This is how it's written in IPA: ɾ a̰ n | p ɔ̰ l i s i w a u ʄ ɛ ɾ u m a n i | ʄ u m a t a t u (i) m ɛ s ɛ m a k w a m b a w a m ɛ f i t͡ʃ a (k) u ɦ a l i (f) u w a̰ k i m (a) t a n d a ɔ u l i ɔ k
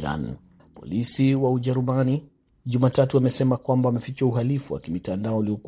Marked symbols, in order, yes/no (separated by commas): no, no, yes, no